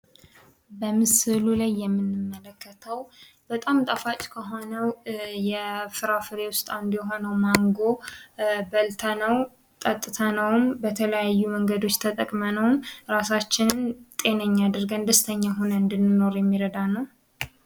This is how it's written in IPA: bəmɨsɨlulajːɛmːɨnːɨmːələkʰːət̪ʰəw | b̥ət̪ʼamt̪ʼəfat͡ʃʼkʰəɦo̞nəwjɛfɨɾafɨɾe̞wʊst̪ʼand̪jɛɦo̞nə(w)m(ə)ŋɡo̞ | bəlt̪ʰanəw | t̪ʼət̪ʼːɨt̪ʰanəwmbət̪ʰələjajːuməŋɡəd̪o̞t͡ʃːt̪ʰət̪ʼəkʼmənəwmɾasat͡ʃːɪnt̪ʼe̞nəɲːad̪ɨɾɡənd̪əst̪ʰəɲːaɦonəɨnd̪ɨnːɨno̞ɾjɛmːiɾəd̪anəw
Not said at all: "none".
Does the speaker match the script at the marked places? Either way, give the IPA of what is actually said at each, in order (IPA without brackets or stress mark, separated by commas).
w, a